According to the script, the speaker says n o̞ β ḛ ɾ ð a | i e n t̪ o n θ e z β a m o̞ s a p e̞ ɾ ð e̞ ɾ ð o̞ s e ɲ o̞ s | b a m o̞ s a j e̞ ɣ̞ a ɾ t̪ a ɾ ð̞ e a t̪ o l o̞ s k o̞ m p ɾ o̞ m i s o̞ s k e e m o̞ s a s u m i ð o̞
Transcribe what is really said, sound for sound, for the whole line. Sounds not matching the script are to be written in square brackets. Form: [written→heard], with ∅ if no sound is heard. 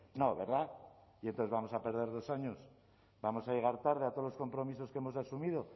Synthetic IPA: n o̞ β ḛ ɾ ð a | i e n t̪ o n θ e z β a m o̞ s a p e̞ ɾ ð e̞ ɾ ð o̞ s [e→a] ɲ o̞ s | b a m o̞ s a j e̞ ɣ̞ a ɾ t̪ a ɾ ð̞ e a t̪ o l o̞ s k o̞ m p ɾ o̞ m i s o̞ s k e e m o̞ s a s u m i ð o̞